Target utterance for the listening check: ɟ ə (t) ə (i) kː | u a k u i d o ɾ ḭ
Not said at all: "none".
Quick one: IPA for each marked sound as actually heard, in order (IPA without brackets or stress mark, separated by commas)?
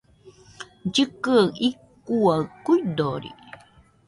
k, i